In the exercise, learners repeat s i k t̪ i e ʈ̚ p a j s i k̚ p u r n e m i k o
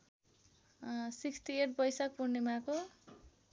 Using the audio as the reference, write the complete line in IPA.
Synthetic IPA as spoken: s i k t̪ i e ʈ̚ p ʌ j s a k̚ p u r n e m a k o